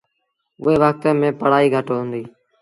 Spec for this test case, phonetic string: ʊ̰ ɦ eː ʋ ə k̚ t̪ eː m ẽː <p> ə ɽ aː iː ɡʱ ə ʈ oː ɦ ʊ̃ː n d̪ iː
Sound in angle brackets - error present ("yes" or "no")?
no